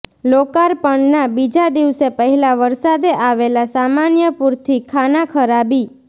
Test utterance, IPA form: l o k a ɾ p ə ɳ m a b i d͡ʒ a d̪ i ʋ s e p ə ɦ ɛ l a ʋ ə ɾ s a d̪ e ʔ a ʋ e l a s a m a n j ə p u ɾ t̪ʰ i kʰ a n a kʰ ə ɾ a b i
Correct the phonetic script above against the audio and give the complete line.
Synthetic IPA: l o k a ɾ p ə ɳ n a b i d͡ʒ a d̪ i ʋ s e p ə ɦ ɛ l a ʋ ə ɾ s a d̪ e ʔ a ʋ e l a s a m a n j ə p u ɾ t̪ʰ i kʰ a n a kʰ ə ɾ a b i